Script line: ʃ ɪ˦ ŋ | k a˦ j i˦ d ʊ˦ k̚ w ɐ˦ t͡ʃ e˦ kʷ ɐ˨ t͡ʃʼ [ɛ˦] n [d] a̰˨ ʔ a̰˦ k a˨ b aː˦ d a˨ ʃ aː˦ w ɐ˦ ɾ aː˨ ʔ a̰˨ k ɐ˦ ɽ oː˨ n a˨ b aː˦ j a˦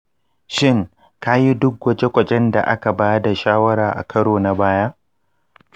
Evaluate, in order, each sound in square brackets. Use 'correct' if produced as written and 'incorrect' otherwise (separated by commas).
correct, correct